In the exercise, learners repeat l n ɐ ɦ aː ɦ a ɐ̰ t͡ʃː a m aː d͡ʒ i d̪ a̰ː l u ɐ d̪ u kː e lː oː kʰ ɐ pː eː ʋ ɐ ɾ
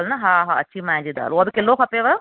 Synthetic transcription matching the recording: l n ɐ ɦ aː ɦ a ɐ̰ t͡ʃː i m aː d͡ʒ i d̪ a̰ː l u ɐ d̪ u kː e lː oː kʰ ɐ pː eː ʋ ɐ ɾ